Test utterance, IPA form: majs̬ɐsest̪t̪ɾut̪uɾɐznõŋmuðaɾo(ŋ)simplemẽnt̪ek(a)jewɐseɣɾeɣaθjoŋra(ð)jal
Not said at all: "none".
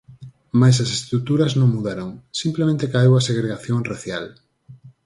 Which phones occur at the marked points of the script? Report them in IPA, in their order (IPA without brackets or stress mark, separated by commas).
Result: ŋ, a, θ